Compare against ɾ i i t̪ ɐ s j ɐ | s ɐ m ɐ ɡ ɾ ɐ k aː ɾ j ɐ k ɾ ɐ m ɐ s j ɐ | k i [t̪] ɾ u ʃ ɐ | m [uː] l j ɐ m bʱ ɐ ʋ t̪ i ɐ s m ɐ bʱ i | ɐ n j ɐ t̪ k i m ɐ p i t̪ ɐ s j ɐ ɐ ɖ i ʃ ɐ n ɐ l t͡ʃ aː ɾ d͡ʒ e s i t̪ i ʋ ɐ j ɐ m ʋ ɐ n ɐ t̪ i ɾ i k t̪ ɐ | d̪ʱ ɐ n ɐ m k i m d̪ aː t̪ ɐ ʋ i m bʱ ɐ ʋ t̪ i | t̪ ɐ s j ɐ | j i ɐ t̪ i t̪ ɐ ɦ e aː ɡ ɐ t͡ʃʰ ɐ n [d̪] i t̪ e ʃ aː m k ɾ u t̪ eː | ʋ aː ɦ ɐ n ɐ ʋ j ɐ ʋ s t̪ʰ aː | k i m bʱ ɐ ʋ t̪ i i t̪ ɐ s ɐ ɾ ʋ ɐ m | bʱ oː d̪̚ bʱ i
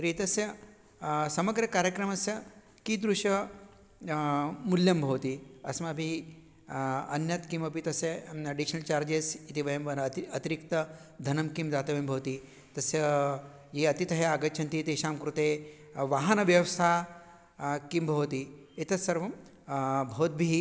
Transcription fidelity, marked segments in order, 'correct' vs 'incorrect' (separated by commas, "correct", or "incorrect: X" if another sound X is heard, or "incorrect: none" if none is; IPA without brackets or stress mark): incorrect: d̪, incorrect: u, incorrect: t̪